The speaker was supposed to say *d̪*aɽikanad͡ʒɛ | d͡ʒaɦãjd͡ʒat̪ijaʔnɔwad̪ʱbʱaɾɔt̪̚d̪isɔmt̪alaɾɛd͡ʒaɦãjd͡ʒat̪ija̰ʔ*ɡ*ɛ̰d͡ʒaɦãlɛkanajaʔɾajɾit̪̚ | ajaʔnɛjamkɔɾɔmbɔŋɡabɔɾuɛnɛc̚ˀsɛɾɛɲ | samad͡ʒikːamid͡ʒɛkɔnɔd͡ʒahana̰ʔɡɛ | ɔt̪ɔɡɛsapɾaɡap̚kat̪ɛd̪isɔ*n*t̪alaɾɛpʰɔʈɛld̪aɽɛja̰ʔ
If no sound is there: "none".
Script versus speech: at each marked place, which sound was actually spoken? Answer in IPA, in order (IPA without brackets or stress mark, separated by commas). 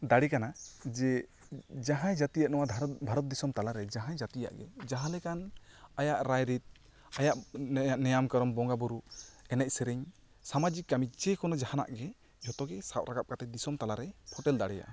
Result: d̪, ɡ, m